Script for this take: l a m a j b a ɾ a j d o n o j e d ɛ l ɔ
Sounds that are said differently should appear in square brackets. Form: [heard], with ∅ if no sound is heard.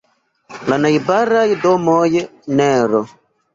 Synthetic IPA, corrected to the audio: l a [n] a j b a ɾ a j d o [m] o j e [n] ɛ [ɾ] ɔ